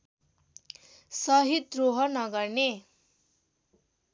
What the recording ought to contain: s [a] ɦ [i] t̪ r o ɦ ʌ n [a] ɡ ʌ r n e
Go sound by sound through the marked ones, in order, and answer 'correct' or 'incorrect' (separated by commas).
incorrect, correct, incorrect